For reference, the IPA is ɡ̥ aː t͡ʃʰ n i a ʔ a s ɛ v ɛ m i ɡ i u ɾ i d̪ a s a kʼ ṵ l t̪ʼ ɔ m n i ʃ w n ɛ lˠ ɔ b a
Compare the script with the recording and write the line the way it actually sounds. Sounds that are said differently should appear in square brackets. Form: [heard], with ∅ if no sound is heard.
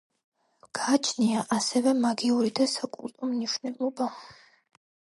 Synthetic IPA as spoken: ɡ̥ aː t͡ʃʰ n i a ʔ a s ɛ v ɛ m [a] ɡ i u ɾ i d̪ a s a kʼ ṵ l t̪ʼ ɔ m n i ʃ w n ɛ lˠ ɔ b a